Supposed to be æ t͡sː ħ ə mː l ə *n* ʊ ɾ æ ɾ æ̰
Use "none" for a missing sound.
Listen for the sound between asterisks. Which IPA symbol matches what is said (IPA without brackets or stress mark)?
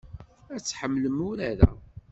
m